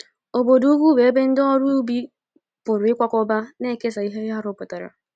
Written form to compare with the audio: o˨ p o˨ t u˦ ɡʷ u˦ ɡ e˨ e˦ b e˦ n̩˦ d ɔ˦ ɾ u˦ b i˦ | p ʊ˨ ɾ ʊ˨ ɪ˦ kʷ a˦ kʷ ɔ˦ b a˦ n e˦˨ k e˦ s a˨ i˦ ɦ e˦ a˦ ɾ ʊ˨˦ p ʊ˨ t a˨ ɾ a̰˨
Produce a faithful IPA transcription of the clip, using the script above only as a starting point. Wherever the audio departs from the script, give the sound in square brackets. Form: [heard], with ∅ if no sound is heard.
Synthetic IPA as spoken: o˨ [b] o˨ [d] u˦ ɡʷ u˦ [b] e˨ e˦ b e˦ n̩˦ d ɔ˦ ɾ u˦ b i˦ | p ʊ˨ ɾ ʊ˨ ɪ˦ kʷ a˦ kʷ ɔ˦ b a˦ n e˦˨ k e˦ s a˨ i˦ ɦ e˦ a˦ ɾ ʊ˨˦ p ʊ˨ t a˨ ɾ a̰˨

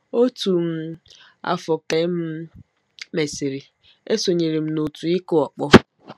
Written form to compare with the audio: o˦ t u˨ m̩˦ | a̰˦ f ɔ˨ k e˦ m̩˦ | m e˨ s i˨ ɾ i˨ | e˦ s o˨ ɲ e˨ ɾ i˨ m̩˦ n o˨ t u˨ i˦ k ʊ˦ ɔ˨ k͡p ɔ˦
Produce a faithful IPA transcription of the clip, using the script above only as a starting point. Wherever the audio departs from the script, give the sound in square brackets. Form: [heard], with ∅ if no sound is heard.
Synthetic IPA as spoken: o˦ t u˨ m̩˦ | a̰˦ f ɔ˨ k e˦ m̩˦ | m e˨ s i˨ ɾ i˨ | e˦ s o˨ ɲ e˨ ɾ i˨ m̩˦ n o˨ t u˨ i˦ k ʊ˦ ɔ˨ k͡p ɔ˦

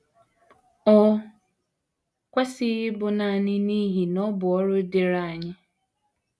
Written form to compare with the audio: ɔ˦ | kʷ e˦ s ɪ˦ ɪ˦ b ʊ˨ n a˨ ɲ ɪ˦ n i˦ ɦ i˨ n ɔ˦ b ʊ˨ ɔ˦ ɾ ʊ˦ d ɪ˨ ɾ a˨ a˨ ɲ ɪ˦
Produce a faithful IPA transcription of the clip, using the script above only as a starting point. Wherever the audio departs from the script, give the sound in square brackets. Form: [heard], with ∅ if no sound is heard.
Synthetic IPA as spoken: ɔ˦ | kʷ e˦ s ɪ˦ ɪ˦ b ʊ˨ n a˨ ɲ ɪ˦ n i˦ ɦ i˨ n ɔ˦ b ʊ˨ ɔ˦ ɾ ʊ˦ d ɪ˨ ɾ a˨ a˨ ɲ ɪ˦

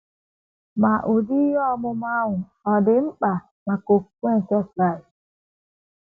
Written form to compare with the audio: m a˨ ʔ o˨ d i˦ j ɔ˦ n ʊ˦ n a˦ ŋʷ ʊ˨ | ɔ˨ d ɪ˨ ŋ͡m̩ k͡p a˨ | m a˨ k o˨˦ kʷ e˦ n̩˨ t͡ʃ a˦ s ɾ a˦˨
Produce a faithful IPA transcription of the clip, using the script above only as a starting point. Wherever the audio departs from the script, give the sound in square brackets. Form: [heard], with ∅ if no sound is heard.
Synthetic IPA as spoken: m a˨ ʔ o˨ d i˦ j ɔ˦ [m] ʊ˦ [m] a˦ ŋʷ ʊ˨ | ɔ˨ d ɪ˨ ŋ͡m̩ k͡p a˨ | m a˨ k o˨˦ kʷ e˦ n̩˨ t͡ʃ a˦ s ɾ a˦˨

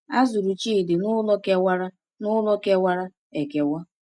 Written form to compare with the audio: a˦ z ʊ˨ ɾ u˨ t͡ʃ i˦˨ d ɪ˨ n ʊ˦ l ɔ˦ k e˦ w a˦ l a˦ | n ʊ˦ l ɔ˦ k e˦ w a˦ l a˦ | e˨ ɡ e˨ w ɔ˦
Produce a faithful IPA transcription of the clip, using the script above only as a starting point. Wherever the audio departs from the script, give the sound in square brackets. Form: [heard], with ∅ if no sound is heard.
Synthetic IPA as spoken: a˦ z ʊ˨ ɾ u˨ t͡ʃ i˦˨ d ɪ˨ n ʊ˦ l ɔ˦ k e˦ w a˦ [ɾ] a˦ | n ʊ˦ l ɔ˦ k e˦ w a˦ [ɾ] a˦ | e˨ [k] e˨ w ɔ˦

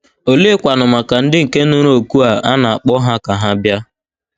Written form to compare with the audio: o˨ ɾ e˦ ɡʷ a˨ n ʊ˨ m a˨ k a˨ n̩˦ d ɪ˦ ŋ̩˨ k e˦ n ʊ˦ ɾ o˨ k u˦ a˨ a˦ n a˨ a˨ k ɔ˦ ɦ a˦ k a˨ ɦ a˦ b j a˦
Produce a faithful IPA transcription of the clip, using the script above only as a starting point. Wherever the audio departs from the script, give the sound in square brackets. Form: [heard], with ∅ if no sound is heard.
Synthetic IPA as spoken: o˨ [l] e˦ [kʷ] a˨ n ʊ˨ m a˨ k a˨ n̩˦ d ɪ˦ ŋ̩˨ k e˦ n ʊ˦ ɾ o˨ k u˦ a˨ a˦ n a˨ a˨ [k͡p] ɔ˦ ɦ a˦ k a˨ ɦ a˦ b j a˦

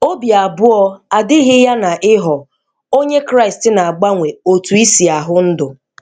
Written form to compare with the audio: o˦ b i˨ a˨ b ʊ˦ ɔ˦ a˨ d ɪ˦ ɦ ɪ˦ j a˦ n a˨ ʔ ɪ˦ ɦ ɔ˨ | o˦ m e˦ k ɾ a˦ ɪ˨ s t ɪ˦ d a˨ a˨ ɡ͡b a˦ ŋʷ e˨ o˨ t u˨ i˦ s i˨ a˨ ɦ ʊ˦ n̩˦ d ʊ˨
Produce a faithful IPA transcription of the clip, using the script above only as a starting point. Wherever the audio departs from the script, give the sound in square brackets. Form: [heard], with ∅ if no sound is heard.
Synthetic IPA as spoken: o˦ b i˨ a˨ b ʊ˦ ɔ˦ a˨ d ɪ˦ ɦ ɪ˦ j a˦ n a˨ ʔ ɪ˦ ɦ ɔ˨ | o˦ [ɲ] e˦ k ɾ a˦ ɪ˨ s t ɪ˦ [n] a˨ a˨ ɡ͡b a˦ ŋʷ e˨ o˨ t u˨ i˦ s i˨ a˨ ɦ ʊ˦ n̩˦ d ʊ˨

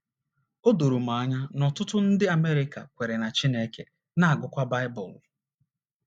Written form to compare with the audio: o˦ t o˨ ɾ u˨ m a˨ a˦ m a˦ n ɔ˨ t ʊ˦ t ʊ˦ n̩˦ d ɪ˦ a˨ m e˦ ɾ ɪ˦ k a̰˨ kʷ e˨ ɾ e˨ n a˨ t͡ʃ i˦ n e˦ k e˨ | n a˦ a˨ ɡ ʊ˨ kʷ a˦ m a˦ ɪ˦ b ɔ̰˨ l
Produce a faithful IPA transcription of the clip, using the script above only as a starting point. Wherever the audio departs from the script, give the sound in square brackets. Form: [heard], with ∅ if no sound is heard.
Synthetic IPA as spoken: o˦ [d] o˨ ɾ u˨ m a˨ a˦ [ɲ] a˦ n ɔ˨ t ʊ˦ t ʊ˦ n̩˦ d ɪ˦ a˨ m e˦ ɾ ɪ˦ k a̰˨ kʷ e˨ ɾ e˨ n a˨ t͡ʃ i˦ n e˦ k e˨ | n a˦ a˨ ɡ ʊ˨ kʷ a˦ [b] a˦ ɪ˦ b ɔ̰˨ l

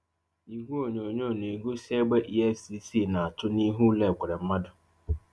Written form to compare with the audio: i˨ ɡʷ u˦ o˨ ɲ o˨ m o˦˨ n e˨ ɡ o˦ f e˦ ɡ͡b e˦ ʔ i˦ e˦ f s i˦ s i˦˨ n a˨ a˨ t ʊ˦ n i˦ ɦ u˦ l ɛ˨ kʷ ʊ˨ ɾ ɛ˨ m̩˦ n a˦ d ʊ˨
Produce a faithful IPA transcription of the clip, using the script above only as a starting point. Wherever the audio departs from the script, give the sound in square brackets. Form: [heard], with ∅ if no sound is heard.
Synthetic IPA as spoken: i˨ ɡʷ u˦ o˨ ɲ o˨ [ɲ] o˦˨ n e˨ ɡ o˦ [s] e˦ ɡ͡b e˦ ʔ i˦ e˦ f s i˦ s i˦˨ n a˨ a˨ t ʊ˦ n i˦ ɦ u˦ l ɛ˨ kʷ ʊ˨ ɾ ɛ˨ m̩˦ [m] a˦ d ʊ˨

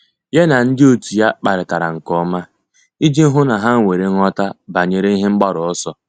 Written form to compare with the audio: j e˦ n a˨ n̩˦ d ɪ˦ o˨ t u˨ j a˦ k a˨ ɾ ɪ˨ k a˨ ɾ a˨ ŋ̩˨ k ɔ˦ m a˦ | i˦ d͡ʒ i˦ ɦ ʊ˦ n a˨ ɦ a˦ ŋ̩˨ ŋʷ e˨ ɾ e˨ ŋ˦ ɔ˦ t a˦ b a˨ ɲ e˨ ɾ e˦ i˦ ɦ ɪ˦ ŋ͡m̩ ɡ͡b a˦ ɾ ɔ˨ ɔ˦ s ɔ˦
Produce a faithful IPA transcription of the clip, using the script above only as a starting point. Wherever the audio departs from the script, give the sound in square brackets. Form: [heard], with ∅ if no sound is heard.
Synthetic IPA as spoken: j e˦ n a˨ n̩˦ d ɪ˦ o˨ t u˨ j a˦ [k͡p] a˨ ɾ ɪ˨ [t] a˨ ɾ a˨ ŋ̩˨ k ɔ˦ m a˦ | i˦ d͡ʒ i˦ ɦ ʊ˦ n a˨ ɦ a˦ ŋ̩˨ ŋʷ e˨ ɾ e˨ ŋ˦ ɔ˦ t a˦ b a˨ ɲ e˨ ɾ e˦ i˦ ɦ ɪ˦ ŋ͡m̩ ɡ͡b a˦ ɾ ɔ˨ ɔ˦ s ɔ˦

